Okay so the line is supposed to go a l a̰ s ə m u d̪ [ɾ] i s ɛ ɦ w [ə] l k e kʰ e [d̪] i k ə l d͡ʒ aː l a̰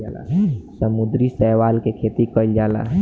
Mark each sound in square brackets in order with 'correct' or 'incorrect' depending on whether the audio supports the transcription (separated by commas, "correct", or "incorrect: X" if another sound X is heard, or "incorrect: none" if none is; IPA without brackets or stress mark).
correct, incorrect: a, incorrect: t̪